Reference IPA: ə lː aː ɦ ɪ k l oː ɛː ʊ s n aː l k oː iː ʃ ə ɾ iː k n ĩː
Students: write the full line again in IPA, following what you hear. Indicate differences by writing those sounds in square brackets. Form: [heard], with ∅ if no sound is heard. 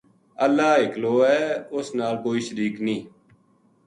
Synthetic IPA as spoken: ə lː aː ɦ ɪ k l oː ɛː ʊ s n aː l k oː iː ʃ ə ɾ iː k n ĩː